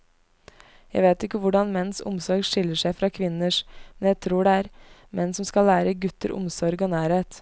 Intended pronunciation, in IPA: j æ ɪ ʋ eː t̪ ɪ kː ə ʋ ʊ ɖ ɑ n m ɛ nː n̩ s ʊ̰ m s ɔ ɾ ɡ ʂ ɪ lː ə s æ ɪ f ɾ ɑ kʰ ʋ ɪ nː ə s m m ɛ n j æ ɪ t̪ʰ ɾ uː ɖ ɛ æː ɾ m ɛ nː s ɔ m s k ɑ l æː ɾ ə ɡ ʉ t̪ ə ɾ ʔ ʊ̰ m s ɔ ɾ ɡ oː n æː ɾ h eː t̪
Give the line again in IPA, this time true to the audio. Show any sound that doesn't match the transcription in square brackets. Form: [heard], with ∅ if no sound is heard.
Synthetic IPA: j æ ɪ ʋ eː t̪ ɪ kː ə ʋ ʊ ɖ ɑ n m ɛ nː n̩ s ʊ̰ m s ɔ ɾ ɡ ʂ ɪ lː ə [ʂ] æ ɪ f ɾ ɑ kʰ ʋ ɪ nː ə [ʂ] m m ɛ n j æ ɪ t̪ʰ ɾ uː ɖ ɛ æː ɾ m ɛ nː s ɔ m s k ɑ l æː ɾ ə ɡ ʉ t̪ ə ɾ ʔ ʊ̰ m s ɔ ɾ ɡ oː n æː ɾ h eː t̪